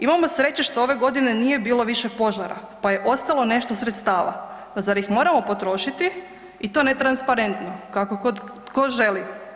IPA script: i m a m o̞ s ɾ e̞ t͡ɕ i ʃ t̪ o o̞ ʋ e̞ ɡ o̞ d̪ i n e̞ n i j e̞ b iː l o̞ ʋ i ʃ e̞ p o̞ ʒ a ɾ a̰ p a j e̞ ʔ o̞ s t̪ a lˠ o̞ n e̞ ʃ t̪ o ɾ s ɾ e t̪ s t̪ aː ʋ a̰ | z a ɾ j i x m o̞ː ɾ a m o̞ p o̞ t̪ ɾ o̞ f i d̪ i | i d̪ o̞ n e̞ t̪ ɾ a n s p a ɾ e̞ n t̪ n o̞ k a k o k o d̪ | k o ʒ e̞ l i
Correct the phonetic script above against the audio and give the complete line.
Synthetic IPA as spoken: i m a m o̞ s ɾ e̞ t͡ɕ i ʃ t̪ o o̞ ʋ e̞ ɡ o̞ d̪ i n e̞ n i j e̞ b iː l o̞ ʋ i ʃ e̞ p o̞ ʒ a ɾ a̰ p a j e̞ ʔ o̞ s t̪ a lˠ o̞ n e̞ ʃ t̪ o s ɾ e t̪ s t̪ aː ʋ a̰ | z a ɾ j i x m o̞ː ɾ a m o̞ p o̞ t̪ ɾ o̞ ʃ i t̪ i | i t̪ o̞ n e̞ t̪ ɾ a n s p a ɾ e̞ n t̪ n o̞ k a k o k o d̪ | k o ʒ e̞ l i